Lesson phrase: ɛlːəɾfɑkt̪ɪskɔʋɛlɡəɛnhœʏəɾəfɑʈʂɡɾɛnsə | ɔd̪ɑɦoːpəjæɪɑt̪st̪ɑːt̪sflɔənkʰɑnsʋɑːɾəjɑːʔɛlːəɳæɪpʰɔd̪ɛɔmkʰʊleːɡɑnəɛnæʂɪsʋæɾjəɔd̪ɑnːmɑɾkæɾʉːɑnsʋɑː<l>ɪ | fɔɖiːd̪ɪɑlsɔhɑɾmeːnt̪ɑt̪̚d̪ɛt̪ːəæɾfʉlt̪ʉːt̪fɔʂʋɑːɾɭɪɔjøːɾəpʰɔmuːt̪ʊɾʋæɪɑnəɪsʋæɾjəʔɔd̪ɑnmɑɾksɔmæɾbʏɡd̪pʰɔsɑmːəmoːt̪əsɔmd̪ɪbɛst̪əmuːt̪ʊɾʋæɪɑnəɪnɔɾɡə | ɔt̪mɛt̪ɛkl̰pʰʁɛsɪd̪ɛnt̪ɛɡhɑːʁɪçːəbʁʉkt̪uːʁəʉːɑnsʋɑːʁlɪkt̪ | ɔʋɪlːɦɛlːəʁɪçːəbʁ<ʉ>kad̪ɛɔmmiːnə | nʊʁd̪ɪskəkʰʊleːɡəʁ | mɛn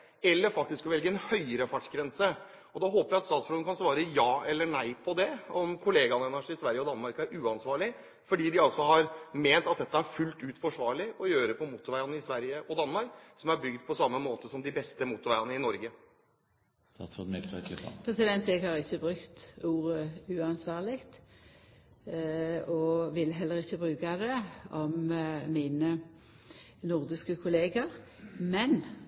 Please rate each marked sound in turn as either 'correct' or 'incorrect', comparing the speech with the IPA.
incorrect, incorrect

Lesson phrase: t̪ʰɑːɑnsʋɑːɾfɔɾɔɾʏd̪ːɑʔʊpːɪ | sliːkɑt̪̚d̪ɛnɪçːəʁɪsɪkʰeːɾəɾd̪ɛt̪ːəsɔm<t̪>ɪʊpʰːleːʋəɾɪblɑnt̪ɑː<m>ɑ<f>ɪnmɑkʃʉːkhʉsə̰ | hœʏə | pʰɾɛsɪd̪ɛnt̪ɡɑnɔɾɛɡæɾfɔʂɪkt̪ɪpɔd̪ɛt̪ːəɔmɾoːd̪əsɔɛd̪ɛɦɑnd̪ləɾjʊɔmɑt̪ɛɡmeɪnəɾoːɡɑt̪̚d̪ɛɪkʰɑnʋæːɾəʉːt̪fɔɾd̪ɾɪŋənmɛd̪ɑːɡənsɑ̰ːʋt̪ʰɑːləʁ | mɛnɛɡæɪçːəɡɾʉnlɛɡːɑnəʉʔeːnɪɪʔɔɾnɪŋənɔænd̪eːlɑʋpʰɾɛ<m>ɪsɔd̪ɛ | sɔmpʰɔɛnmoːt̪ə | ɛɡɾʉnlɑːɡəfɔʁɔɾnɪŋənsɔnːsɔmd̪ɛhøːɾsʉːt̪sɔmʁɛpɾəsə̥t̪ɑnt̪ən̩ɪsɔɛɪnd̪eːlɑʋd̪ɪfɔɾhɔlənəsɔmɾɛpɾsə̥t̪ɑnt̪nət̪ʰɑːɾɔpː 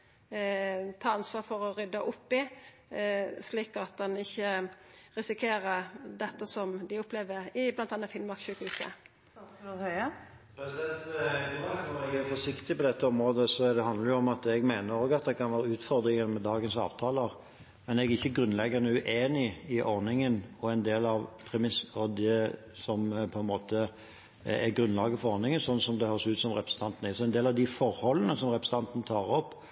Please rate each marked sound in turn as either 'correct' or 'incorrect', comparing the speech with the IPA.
incorrect, incorrect, correct, correct

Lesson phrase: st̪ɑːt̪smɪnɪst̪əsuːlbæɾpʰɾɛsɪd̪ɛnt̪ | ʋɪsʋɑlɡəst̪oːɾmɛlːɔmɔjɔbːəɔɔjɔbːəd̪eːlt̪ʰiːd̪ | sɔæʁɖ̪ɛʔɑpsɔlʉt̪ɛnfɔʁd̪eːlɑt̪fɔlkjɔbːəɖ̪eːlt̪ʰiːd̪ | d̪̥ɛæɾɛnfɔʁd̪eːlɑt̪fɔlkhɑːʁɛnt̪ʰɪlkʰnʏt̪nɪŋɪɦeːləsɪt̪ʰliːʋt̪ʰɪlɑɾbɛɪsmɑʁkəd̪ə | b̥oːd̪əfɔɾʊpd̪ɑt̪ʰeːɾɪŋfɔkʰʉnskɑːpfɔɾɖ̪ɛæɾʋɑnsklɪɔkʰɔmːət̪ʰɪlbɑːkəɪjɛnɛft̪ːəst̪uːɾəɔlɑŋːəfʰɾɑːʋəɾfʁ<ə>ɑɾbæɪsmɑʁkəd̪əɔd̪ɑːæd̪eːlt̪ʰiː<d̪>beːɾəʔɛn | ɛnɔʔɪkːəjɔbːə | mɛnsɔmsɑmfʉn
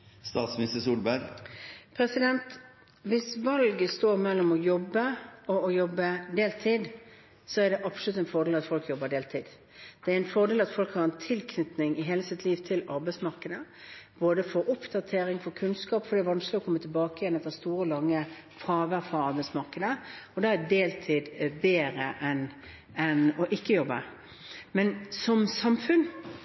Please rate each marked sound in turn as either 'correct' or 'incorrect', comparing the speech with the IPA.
incorrect, correct

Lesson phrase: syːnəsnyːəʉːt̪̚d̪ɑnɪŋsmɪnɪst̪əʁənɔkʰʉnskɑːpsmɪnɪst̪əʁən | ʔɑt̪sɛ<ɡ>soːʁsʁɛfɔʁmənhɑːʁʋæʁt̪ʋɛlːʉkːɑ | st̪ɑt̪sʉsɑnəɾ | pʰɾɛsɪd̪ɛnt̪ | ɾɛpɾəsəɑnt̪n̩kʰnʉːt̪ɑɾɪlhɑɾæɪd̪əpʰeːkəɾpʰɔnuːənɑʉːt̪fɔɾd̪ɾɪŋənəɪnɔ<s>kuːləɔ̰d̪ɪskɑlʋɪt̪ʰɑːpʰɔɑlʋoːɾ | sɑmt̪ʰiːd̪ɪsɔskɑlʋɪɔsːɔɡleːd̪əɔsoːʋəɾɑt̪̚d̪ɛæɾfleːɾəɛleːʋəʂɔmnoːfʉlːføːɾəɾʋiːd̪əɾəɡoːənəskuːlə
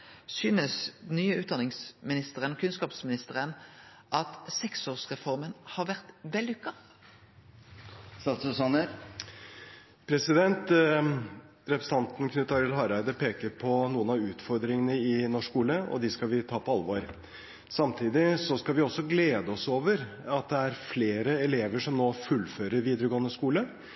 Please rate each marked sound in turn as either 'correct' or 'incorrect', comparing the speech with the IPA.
incorrect, incorrect

